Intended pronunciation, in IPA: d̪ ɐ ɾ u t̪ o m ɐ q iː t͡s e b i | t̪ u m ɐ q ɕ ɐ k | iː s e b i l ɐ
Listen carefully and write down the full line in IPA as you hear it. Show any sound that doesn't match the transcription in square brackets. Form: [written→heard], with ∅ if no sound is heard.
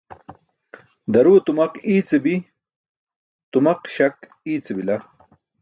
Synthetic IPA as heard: d̪ ɐ ɾ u t̪ [o→u] m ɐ q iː t͡s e b i | t̪ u m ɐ q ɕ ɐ k | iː [s→t͡s] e b i l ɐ